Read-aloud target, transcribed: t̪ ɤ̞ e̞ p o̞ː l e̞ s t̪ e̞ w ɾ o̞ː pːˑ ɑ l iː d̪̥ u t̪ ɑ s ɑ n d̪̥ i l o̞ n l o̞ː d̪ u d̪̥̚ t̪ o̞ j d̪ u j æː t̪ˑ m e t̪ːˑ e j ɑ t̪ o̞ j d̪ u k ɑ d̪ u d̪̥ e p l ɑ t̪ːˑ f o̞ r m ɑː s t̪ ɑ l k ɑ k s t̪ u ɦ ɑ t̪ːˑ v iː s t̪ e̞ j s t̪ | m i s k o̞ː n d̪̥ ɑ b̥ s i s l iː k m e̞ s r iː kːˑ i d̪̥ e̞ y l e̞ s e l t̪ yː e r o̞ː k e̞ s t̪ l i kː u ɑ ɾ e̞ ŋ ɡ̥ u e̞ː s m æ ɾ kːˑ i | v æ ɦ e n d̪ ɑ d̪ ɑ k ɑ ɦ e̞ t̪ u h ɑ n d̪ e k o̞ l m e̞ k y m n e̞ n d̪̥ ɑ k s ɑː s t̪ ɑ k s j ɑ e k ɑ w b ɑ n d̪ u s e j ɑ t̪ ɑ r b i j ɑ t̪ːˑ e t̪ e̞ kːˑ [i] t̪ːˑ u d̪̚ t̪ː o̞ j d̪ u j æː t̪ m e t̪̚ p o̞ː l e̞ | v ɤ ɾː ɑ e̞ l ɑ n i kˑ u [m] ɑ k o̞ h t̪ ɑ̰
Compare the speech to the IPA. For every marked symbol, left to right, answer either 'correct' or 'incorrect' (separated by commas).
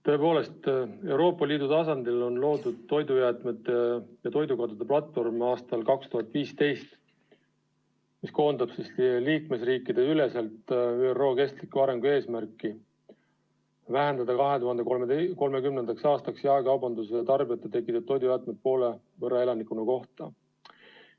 correct, incorrect